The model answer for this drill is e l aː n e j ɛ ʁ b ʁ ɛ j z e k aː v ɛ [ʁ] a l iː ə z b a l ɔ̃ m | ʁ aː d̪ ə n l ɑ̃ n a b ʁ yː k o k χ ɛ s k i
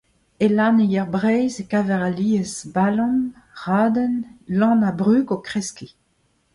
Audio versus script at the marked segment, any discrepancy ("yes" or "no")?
no